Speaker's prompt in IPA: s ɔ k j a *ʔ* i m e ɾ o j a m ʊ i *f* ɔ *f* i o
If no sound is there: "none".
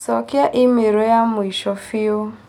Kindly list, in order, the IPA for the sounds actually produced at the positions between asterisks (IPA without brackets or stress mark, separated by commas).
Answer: ʔ, ʃ, f